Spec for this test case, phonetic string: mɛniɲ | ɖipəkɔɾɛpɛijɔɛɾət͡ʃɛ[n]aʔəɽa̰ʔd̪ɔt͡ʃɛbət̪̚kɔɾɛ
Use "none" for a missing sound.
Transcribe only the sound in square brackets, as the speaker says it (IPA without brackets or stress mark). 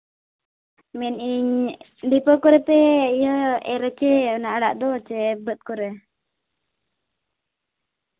n